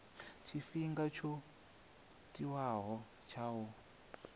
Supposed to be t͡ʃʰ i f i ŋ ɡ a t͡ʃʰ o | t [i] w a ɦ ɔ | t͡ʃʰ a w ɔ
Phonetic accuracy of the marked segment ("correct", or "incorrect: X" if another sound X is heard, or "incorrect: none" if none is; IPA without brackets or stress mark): correct